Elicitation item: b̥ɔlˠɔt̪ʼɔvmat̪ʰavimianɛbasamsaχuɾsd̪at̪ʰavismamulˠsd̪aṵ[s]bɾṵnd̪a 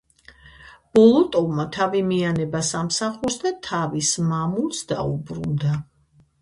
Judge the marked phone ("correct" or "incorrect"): incorrect